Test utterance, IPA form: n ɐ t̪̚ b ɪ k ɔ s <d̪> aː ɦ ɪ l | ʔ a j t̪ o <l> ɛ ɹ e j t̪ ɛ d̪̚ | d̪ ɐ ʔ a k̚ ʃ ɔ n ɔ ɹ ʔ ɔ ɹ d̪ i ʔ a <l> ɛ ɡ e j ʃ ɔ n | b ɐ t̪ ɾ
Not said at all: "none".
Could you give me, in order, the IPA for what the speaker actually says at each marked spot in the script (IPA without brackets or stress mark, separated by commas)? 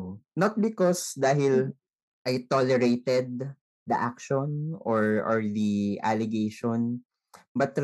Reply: d̪, l, l